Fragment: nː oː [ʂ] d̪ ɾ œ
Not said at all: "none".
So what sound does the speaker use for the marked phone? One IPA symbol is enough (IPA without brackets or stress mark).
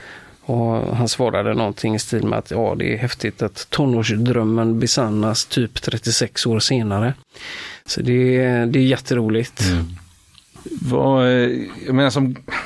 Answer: ʂ